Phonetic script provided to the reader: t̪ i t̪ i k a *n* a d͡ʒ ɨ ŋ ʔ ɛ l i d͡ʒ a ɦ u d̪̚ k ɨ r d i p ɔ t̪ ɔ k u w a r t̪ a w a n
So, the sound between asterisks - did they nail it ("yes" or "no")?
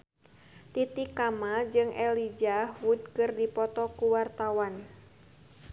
no